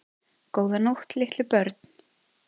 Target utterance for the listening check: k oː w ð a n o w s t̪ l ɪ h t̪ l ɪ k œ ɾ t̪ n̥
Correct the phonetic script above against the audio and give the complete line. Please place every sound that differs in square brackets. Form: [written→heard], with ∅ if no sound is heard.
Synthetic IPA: k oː w ð a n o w [s→h] t̪ l ɪ h t̪ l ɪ [k→p] œ ɾ t̪ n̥